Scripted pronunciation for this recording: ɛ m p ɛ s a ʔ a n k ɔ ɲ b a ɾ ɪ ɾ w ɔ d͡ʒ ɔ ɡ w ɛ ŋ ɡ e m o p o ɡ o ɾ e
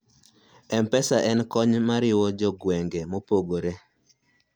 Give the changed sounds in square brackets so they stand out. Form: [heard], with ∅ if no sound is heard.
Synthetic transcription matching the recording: ɛ m p ɛ s a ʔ [ɛ] n k ɔ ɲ [m] a ɾ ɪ [∅] w ɔ d͡ʒ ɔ ɡ w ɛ ŋ ɡ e m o p o ɡ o ɾ e